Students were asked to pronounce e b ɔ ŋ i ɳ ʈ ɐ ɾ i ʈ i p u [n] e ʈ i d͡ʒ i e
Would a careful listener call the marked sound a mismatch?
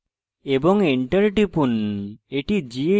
no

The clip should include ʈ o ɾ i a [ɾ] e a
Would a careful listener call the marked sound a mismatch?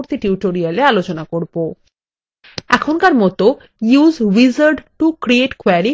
yes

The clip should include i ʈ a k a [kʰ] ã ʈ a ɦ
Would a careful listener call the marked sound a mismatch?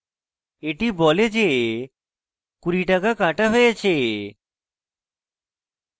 yes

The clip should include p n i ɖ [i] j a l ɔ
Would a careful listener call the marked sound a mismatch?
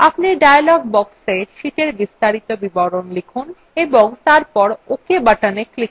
yes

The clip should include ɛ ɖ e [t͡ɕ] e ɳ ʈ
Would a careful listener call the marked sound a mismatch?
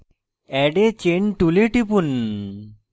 no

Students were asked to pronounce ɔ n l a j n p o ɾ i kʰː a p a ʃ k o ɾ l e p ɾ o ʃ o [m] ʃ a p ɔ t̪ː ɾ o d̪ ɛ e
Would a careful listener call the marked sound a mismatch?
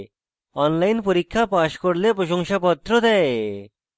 yes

